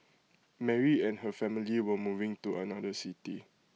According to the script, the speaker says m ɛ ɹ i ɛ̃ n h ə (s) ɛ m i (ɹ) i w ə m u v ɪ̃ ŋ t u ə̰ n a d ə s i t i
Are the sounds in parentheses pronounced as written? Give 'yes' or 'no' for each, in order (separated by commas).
no, no